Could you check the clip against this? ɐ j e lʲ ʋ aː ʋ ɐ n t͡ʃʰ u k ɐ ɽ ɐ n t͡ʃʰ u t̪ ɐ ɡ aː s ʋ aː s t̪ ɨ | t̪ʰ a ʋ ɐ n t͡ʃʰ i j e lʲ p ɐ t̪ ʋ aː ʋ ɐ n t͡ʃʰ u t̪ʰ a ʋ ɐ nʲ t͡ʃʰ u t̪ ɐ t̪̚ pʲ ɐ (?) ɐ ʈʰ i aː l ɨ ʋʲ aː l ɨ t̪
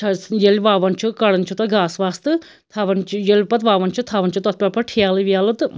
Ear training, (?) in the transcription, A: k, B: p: B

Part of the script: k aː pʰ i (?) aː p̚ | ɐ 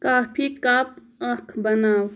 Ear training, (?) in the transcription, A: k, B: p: A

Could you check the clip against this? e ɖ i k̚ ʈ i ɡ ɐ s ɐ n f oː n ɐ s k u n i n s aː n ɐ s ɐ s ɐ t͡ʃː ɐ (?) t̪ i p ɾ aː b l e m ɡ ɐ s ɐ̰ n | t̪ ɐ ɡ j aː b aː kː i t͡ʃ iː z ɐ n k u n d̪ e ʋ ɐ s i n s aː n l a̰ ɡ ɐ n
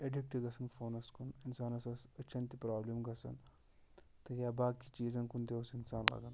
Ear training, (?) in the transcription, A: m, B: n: B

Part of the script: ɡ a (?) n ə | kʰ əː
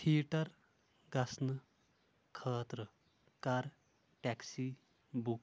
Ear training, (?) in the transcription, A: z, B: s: B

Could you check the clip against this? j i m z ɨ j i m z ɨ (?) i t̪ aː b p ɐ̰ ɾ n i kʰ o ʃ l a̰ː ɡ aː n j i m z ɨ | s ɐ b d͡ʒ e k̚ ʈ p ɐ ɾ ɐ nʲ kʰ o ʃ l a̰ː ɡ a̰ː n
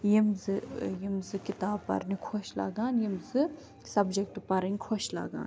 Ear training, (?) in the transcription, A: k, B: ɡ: A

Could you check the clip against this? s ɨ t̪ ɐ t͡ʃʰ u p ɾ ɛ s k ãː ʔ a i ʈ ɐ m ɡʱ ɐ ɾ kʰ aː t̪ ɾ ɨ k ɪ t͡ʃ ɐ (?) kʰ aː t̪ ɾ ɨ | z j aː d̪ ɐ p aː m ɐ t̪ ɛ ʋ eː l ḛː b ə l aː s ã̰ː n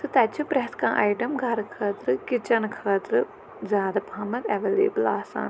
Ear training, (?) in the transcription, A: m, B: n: B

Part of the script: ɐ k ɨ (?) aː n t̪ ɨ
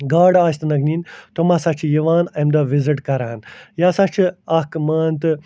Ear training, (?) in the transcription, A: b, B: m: B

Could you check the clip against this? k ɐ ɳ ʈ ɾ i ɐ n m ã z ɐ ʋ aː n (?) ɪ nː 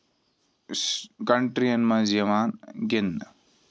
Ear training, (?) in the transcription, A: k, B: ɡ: B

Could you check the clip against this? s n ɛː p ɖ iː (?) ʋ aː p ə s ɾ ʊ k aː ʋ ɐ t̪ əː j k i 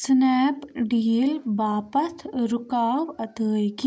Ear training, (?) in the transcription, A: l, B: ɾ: A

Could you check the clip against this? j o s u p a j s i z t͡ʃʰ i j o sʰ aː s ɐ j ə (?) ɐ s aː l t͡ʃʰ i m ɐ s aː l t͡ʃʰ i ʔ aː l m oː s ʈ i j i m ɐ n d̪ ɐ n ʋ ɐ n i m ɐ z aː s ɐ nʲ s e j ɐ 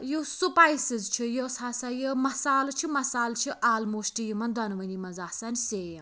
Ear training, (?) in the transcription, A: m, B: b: A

